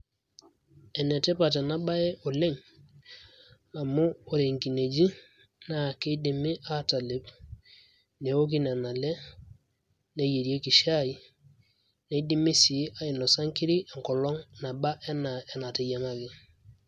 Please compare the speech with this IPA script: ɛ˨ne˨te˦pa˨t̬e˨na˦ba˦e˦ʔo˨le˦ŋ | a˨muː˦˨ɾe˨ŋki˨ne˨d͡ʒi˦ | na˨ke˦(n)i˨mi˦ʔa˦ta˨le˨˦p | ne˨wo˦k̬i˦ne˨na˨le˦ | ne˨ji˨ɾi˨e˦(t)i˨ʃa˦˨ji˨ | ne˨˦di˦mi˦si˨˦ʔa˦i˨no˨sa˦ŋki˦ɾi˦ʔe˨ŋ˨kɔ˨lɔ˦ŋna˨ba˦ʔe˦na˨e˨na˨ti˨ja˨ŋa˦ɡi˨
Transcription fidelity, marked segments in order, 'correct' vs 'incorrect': incorrect, incorrect

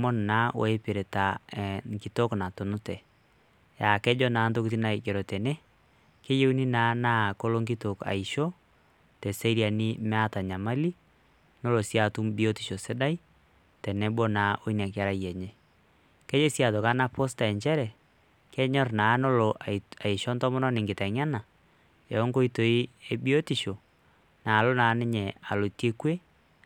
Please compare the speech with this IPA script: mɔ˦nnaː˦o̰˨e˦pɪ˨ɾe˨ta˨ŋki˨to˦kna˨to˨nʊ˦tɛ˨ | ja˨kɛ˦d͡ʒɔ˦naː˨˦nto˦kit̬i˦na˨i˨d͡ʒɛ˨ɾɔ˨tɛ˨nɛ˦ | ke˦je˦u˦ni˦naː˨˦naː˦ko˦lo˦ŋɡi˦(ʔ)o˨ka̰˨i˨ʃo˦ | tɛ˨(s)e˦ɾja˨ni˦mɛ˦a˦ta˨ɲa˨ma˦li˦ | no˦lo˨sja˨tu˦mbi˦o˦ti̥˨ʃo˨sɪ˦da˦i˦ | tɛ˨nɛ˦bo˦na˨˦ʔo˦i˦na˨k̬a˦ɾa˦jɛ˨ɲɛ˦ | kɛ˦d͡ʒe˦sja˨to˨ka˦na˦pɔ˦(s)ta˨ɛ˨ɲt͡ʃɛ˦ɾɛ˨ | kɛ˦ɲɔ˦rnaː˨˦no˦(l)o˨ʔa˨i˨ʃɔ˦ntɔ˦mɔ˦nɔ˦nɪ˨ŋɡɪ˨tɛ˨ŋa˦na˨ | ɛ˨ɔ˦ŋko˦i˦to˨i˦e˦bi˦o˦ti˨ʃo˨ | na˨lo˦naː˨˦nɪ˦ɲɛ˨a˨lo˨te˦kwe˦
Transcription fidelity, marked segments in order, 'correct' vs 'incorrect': incorrect, correct, correct, correct

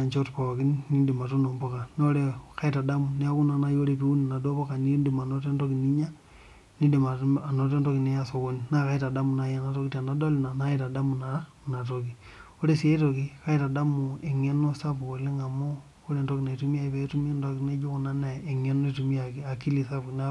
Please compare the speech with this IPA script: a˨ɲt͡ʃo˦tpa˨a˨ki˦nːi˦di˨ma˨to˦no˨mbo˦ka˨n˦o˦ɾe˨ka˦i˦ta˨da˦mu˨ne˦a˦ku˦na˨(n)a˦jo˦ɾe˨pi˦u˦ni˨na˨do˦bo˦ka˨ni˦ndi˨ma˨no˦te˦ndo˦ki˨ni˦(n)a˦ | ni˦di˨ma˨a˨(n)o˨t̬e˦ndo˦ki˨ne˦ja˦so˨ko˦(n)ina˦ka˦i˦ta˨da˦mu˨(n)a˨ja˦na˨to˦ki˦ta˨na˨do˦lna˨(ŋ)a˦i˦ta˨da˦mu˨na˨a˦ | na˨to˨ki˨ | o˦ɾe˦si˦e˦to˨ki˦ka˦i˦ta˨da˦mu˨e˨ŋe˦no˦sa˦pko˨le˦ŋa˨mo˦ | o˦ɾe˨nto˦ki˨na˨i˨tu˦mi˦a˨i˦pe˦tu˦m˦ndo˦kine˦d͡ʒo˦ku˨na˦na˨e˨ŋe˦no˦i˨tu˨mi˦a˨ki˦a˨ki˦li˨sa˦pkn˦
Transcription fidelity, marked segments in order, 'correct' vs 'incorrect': correct, incorrect, correct, correct, correct, incorrect

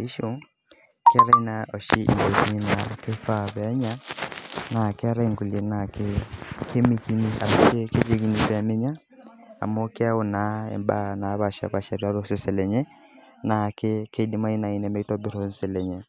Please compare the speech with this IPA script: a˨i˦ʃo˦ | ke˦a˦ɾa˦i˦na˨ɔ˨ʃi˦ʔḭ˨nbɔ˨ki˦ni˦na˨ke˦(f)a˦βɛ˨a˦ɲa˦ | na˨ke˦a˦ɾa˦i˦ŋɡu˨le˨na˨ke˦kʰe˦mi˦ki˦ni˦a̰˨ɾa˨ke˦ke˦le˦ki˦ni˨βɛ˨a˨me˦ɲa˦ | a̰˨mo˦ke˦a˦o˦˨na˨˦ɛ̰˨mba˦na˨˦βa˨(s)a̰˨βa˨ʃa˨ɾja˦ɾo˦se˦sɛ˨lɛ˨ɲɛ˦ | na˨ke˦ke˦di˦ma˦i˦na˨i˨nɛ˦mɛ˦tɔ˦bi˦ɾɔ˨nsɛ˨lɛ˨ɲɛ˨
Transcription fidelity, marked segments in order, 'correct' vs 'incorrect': correct, incorrect

